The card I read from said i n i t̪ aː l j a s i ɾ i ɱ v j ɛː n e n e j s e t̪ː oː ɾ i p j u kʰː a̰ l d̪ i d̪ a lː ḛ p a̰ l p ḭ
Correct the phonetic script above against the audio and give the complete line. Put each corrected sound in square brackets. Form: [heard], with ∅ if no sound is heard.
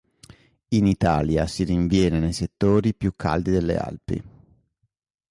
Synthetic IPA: i n i t̪ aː l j a s i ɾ i ɱ v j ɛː n e n e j s e t̪ː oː ɾ i p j u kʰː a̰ l d̪ i d̪ [e] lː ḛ [∅] a̰ l p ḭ